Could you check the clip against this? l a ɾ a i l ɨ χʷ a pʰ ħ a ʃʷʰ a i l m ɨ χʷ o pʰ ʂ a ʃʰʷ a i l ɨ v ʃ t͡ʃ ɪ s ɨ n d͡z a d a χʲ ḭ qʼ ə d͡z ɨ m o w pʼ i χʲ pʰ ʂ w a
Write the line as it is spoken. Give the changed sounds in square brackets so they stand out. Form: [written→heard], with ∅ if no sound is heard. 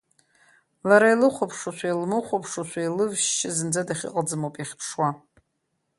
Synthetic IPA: l a ɾ a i l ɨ χʷ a pʰ [ħ→ʂ] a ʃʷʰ a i l m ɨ χʷ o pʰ ʂ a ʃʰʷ a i l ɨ v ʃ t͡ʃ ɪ [s→z] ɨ n d͡z a d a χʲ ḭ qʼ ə d͡z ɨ m o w pʼ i χʲ pʰ ʂ w a